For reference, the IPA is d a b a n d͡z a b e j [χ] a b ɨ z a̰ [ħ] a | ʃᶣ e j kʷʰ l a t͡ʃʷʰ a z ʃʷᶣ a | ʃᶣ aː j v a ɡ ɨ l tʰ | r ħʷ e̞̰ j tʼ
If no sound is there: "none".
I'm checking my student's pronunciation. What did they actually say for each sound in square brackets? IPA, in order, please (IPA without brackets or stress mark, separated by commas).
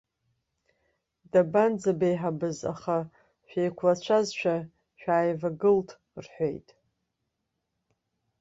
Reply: ħ, χ